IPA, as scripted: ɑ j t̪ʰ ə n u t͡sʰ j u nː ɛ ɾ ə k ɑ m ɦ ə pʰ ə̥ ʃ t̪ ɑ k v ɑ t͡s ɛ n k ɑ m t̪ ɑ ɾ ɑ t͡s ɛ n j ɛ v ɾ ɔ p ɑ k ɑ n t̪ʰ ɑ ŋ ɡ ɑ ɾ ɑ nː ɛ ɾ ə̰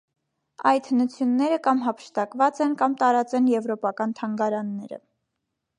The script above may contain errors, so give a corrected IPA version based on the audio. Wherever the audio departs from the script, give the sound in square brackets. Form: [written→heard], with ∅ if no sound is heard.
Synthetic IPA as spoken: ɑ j t̪ʰ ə n u t͡sʰ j u nː ɛ ɾ ə k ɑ m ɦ [ə→ɑ] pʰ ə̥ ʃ t̪ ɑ k v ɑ t͡s ɛ n k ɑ m t̪ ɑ ɾ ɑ t͡s ɛ n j ɛ v ɾ ɔ p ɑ k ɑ n t̪ʰ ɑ ŋ ɡ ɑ ɾ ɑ nː ɛ ɾ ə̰